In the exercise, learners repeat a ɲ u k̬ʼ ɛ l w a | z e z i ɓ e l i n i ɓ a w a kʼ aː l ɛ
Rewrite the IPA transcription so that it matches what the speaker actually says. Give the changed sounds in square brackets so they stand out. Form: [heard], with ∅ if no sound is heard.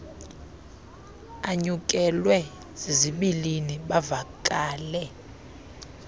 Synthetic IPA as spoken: a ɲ u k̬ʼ ɛ l w [ɛ] | z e z i ɓ [i] l i n i ɓ a [v] a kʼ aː l ɛ